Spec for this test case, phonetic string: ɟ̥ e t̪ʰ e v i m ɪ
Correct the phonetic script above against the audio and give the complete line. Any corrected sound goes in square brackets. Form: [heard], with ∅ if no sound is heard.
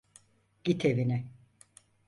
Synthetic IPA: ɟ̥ [i] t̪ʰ e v i [n] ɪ